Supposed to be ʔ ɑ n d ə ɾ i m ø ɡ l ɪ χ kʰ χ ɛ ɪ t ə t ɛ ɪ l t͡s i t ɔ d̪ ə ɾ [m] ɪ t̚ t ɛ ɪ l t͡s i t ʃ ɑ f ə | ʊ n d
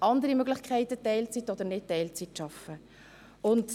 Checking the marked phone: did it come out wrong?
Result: yes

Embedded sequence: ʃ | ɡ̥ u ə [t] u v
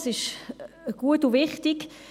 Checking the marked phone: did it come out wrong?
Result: no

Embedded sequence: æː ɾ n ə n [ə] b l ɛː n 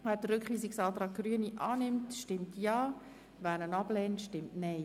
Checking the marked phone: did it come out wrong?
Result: yes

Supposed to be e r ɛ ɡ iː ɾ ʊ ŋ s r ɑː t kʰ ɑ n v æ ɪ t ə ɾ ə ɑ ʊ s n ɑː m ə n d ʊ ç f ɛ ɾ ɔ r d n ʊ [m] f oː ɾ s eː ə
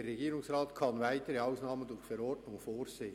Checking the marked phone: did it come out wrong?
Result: yes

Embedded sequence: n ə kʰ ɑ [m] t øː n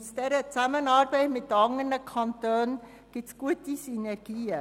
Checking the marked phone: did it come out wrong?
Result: yes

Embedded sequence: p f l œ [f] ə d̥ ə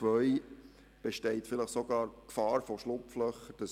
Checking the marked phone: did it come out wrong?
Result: yes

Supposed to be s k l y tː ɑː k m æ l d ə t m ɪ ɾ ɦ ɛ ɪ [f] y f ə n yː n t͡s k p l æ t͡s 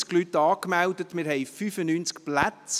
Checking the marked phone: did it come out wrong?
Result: no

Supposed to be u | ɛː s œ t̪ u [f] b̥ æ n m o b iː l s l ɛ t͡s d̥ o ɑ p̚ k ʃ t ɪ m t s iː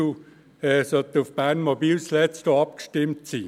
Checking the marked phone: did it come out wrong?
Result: no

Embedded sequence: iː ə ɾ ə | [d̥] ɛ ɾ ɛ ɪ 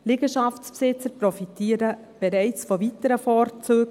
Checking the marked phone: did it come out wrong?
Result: yes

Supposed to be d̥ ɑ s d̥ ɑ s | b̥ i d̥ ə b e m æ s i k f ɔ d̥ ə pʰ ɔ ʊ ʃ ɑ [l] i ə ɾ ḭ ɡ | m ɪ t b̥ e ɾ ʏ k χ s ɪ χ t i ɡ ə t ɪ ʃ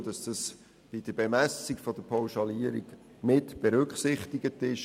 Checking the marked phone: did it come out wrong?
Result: no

